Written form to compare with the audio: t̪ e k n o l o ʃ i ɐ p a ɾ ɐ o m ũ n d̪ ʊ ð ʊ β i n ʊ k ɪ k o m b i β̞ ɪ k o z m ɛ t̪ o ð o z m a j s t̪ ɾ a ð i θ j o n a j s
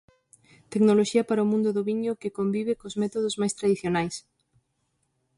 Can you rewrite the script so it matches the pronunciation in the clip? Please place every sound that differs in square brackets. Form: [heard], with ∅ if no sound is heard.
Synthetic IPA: t̪ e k n o l o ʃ i ɐ p a ɾ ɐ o m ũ n d̪ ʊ ð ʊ β i [ɲ] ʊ k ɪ k o m b i β̞ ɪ k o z m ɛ t̪ o ð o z m a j s t̪ ɾ a ð i θ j o n a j s